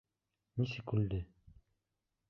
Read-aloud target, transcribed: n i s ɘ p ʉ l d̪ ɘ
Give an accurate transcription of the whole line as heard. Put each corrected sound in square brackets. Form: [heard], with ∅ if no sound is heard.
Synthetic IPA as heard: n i s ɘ [k] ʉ l d̪ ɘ

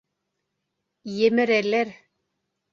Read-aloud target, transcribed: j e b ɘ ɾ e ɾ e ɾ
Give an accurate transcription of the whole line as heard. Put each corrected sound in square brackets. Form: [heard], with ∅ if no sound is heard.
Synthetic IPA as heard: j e [m] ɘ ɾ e [l] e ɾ

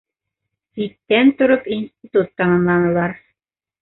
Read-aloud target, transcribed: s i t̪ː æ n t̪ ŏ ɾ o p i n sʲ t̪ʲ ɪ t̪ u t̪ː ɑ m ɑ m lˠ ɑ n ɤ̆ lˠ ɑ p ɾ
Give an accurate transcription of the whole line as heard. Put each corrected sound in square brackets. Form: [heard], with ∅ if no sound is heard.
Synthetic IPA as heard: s i t̪ː æ n t̪ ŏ ɾ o p i n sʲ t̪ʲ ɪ t̪ u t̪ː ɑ m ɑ m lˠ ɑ n ɤ̆ lˠ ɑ [∅] ɾ

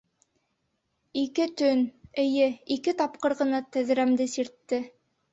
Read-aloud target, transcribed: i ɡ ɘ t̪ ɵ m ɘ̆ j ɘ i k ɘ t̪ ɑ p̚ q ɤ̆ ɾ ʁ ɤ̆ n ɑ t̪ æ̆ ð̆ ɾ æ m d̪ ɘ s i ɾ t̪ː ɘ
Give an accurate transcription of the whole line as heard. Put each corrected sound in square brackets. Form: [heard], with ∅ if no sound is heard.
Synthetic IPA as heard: i [k] ɘ t̪ ɵ [n] ɘ̆ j ɘ i k ɘ t̪ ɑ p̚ q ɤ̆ ɾ ʁ ɤ̆ n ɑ t̪ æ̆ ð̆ ɾ æ m d̪ ɘ s i ɾ t̪ː ɘ

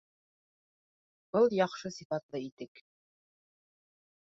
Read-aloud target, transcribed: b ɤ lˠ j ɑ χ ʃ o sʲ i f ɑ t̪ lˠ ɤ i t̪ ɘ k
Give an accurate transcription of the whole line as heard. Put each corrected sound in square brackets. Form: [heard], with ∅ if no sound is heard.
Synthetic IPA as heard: b ɤ lˠ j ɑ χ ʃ [ɤ] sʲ i f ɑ t̪ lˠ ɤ i t̪ ɘ k

